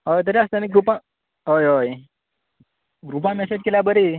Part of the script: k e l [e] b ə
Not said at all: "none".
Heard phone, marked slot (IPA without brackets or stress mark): a